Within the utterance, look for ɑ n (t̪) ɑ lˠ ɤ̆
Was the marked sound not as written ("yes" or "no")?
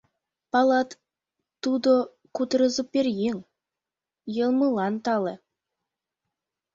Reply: no